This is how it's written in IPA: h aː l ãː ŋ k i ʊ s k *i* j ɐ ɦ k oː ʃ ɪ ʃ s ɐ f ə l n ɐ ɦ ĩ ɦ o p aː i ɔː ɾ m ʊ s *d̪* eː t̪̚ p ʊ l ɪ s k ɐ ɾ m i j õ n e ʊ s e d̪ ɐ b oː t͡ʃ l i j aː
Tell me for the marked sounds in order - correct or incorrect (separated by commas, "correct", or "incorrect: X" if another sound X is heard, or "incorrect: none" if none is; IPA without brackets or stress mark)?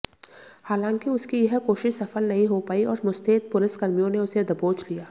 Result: correct, incorrect: t̪